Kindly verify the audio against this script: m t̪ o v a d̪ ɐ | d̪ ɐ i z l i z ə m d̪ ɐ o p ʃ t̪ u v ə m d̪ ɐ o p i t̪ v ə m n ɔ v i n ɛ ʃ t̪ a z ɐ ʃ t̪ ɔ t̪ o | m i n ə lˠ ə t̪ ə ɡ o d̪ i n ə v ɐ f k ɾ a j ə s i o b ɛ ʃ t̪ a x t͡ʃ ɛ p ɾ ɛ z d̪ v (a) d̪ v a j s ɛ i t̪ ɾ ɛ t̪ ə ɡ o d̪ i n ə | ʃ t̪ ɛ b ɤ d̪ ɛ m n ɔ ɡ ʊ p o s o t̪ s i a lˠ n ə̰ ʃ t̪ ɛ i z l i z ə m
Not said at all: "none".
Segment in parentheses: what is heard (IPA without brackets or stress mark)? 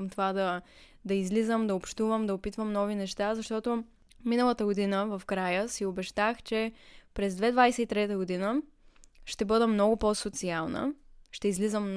ɛ